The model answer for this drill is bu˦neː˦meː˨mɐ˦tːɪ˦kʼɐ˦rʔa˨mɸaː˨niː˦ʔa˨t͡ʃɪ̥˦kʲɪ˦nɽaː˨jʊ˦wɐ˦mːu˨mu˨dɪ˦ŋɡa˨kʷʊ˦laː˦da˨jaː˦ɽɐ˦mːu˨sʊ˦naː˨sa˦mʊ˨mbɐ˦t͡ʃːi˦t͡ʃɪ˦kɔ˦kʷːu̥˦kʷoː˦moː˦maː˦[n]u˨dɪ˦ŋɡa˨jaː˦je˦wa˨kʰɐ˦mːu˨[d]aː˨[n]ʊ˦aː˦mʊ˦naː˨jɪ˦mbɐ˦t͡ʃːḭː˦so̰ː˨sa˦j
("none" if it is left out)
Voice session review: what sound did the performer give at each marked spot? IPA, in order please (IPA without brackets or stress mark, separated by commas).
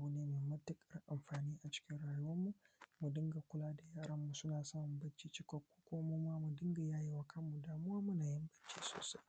m, d, m